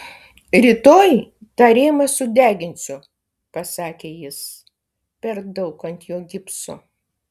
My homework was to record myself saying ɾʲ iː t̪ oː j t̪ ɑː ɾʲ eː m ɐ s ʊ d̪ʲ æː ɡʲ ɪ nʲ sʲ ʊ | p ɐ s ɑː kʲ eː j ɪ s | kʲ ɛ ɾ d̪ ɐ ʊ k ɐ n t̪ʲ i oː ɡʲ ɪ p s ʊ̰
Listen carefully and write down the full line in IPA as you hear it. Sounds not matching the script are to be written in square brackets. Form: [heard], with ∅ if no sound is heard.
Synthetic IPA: ɾʲ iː t̪ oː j t̪ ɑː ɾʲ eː m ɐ s ʊ d̪ʲ æː ɡʲ ɪ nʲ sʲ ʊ | p ɐ s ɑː kʲ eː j ɪ s | [pʲ] ɛ ɾ d̪ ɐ ʊ k ɐ n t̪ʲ [j] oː ɡʲ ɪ p s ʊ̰